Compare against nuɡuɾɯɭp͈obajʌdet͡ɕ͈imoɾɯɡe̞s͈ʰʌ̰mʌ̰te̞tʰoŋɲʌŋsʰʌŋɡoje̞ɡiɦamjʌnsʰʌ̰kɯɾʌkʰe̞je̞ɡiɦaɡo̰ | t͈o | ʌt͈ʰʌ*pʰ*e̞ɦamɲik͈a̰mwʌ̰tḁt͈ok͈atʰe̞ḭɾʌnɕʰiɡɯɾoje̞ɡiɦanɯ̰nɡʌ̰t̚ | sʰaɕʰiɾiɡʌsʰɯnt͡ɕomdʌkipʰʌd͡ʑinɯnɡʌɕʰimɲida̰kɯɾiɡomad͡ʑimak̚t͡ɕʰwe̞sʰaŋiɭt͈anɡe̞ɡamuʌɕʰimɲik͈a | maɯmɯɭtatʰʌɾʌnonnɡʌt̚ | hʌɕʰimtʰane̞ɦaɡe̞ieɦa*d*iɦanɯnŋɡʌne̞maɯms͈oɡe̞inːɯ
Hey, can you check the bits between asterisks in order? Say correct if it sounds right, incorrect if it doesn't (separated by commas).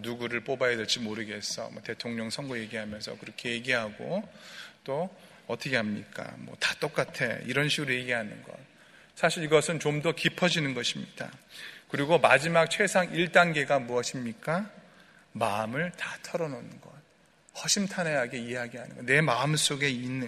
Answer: incorrect, incorrect